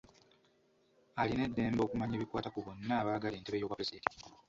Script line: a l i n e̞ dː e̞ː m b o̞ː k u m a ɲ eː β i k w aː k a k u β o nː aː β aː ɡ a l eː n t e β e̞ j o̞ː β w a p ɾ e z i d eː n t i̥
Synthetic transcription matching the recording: a l i n e̞ dː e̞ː m b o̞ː k u m a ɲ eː β i k w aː t a k u β o nː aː β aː ɡ a l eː n t e β e̞ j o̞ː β w a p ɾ e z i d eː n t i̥